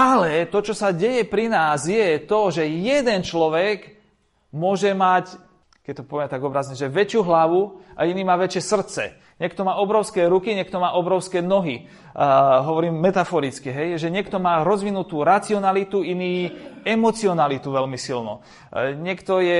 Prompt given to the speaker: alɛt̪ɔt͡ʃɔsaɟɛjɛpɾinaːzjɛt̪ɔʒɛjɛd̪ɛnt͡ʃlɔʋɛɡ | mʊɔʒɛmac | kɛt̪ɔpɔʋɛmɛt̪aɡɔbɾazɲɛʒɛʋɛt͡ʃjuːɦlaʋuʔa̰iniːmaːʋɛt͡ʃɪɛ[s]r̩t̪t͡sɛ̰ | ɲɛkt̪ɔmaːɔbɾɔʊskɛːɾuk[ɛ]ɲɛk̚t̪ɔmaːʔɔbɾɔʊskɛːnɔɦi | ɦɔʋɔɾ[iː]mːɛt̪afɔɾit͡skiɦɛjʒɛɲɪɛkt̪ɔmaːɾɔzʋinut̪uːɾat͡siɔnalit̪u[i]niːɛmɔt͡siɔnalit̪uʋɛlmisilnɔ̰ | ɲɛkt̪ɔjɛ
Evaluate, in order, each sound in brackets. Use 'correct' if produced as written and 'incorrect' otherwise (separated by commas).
correct, incorrect, correct, correct